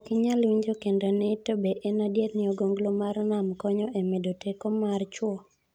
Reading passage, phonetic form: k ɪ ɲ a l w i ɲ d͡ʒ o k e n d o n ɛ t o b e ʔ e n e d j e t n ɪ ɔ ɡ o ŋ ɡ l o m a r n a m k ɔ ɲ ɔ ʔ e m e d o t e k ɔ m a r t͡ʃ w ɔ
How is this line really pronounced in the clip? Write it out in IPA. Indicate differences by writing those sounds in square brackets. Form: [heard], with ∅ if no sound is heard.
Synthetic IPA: k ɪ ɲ a l w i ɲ d͡ʒ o k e n d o n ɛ t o b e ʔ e n [a] d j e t n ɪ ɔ ɡ o ŋ ɡ l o m a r n a m k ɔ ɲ ɔ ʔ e m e d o t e k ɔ m a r t͡ʃ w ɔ